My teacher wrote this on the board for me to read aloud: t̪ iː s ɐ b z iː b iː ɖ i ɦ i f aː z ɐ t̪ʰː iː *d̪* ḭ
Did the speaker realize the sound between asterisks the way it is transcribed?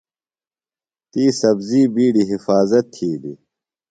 yes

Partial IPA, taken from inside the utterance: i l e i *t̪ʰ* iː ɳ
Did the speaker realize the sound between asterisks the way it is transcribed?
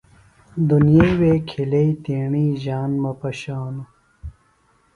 no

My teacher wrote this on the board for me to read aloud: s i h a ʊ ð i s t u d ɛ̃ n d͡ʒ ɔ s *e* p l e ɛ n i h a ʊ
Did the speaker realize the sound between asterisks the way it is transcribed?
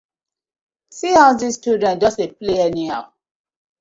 yes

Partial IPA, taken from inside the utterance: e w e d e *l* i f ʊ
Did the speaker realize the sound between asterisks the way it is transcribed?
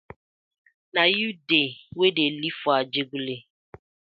yes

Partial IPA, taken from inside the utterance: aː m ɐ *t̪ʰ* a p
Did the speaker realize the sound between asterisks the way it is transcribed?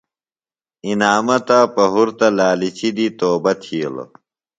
no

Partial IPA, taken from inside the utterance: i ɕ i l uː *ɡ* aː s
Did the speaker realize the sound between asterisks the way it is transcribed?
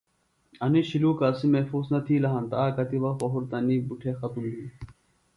no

